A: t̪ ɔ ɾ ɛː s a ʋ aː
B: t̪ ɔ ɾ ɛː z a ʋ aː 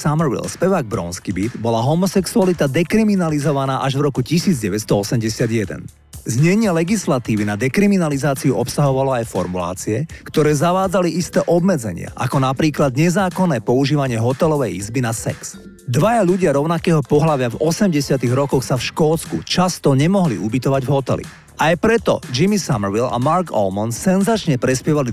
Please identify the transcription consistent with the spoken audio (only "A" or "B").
B